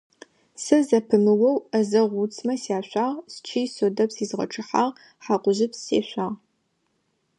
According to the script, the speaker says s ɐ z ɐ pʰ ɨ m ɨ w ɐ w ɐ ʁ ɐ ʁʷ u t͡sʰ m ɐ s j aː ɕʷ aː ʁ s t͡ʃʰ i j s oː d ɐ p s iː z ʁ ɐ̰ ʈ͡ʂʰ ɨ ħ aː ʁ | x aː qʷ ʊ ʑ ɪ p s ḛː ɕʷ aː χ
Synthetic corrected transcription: s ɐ z ɐ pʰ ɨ m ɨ w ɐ w ɐ z ɐ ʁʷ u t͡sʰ m ɐ s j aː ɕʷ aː ʁ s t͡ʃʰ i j s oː d ɐ p s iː z ʁ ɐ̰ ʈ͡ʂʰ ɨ ħ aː ʁ | ħ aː qʷ ʊ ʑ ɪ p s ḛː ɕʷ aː ʁ